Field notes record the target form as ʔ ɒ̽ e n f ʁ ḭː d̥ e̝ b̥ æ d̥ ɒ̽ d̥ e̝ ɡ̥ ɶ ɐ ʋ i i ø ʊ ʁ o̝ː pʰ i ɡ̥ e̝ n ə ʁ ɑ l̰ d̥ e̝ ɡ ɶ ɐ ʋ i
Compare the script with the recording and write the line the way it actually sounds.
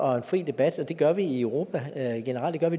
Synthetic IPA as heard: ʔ ɒ̽ e n f ʁ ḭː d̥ e̝ b̥ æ d̥ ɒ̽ d̥ e̝ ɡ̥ ɶ ɐ ʋ i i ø ʊ ʁ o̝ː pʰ æ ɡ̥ e̝ n ə ʁ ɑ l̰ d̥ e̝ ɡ ɶ ɐ ʋ i